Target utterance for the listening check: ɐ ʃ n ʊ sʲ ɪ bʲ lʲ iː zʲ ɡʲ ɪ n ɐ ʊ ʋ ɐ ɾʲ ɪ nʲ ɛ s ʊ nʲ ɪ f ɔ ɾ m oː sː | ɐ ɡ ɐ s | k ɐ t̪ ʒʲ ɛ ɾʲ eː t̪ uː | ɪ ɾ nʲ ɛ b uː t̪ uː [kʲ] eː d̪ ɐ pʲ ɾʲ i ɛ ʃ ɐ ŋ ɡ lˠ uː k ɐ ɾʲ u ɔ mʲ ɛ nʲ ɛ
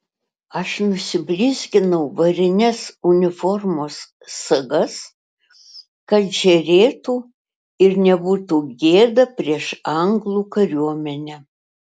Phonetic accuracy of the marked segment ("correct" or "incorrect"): incorrect